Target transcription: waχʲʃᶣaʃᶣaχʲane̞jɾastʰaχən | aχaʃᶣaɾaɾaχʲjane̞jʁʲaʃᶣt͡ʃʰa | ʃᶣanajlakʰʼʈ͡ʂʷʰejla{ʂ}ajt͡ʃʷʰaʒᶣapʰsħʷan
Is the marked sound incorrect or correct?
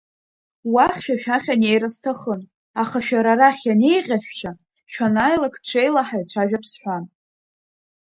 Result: incorrect